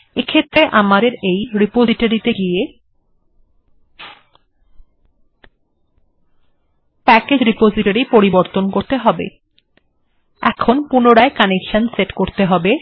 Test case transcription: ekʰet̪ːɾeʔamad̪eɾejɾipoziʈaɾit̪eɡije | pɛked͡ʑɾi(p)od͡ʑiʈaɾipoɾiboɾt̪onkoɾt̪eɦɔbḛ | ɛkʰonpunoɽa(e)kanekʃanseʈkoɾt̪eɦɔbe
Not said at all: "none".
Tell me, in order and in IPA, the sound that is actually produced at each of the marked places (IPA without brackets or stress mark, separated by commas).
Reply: p, e